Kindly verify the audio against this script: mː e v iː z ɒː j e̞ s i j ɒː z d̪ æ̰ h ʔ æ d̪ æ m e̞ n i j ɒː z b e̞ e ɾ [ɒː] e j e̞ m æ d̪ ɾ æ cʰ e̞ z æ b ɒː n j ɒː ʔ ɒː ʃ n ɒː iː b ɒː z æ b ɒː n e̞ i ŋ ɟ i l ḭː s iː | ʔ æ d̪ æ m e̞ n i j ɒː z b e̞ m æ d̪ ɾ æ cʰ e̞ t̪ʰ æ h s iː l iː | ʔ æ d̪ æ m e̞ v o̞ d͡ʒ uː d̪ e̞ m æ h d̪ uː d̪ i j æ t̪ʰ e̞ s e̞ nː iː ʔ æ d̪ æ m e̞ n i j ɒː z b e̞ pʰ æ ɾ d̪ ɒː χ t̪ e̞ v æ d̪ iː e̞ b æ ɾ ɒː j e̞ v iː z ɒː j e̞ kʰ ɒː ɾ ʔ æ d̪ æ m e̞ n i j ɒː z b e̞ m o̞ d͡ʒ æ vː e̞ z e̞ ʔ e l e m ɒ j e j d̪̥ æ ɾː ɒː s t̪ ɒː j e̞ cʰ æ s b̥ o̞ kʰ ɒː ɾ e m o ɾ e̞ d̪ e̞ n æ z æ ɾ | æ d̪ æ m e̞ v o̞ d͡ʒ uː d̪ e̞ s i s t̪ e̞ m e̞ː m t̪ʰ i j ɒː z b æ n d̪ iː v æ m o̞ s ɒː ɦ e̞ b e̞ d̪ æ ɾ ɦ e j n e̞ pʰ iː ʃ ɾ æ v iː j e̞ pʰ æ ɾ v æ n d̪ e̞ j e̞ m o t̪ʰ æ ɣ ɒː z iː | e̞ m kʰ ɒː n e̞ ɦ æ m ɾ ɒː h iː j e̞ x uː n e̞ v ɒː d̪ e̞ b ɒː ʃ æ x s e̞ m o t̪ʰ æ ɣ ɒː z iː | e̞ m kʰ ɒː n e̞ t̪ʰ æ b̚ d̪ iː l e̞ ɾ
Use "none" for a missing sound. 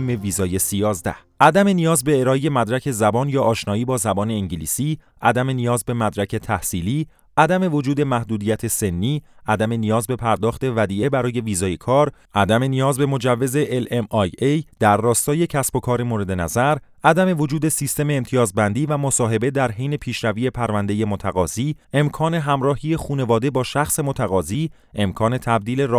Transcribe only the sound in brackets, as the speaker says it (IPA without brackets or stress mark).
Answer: ɒː